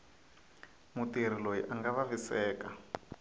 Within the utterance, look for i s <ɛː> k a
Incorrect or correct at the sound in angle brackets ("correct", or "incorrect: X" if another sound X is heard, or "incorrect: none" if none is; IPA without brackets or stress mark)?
correct